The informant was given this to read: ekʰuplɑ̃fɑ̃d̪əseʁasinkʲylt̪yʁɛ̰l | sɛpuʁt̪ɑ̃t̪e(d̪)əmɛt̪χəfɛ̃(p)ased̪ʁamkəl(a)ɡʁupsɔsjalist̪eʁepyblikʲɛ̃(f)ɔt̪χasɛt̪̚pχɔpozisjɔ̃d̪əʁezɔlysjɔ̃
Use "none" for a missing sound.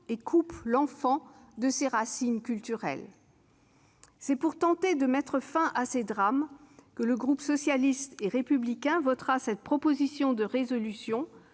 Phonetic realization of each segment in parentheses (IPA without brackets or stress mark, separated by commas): d̪, ʔ, ə, v